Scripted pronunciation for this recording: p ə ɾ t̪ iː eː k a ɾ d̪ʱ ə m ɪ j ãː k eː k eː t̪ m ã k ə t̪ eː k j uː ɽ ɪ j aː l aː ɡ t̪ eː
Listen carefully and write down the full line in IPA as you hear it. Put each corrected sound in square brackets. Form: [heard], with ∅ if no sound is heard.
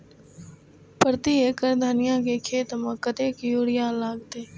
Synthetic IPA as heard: p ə ɾ t̪ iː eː k [ə] ɾ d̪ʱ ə [n] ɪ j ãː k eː [kʰ] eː t̪ m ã k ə t̪ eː k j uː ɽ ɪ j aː l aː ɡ t̪ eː

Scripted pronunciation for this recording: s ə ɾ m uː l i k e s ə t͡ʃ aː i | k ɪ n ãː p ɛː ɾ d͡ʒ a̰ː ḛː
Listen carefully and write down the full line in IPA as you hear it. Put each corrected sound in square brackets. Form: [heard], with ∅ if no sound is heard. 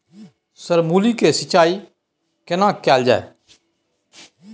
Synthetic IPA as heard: s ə ɾ m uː l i k e s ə t͡ʃ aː i | k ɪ n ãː [k] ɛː [l] d͡ʒ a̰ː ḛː

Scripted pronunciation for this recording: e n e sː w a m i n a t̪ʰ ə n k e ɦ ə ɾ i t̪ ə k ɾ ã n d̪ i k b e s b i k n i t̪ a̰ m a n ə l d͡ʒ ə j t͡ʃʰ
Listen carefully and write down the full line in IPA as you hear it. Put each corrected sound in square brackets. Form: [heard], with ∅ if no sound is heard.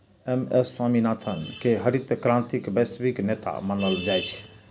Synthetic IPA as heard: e [m] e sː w a m i n a t̪ʰ ə n k e ɦ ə ɾ i t̪ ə k ɾ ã n [t̪] i k b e s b i k n [e] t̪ a̰ m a n ə l d͡ʒ [a] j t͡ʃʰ

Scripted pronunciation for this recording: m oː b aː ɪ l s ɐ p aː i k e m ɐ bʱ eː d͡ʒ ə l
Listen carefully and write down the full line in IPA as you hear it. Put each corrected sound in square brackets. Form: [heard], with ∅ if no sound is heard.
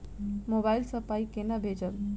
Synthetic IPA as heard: m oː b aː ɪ l s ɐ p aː i k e [n] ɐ bʱ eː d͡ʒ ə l

